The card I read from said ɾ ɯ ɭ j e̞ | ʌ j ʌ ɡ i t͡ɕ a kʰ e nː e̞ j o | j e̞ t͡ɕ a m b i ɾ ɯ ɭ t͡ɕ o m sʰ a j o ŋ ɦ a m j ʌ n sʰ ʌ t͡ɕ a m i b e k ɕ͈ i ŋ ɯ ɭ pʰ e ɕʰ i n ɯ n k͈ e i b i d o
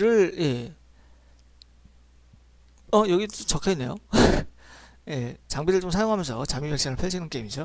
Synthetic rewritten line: ɾ ɯ ɭ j e̞ | ʌ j ʌ ɡ i t͡ɕ ʌ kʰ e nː e̞ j o | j e̞ t͡ɕ a ŋ b i ɾ ɯ ɭ t͡ɕ o m sʰ a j o ŋ ɦ a m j ʌ n sʰ ʌ t͡ɕ a m i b e k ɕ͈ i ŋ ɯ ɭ pʰ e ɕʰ i n ɯ n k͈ e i m i d͡ʑ o